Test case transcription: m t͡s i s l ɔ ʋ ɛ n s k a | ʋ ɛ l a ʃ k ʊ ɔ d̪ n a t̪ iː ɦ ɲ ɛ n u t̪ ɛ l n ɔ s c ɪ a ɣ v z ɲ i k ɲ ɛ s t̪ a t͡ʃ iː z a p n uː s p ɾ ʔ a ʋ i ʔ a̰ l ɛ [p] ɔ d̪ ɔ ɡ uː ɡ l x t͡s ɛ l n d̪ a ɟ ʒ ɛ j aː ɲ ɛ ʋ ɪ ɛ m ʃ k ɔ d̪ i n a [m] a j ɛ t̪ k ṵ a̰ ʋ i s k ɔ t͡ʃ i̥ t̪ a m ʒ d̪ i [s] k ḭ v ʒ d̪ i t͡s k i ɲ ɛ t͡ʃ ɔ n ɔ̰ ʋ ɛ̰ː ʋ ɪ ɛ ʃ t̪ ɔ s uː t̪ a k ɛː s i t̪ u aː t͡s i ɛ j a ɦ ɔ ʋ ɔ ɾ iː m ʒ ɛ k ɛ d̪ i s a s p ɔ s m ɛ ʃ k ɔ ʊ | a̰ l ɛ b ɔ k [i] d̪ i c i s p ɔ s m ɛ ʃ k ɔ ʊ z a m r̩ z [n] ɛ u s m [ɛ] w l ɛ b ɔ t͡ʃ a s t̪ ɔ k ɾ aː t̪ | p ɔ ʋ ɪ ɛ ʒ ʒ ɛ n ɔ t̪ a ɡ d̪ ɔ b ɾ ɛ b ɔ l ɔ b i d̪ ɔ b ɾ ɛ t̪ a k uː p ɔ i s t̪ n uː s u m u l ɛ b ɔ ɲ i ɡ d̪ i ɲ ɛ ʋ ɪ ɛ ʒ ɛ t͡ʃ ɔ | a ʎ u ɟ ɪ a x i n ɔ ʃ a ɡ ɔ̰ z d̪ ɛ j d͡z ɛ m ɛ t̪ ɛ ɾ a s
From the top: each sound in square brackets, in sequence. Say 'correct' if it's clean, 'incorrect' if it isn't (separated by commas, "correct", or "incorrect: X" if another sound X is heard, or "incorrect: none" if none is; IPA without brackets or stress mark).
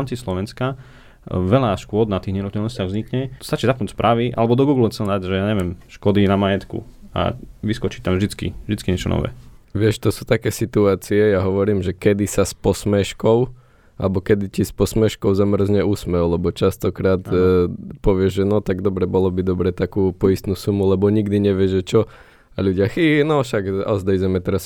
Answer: incorrect: b, correct, incorrect: t͡s, incorrect: ɛ, incorrect: ɲ, correct